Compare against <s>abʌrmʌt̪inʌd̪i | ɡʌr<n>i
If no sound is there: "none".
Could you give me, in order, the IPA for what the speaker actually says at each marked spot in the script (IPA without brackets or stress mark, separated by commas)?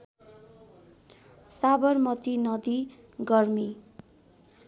s, m